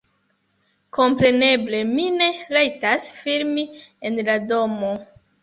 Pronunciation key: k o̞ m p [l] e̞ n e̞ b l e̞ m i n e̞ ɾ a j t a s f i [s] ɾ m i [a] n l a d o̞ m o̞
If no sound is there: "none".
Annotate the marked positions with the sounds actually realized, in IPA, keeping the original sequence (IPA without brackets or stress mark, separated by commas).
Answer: ɾ, none, e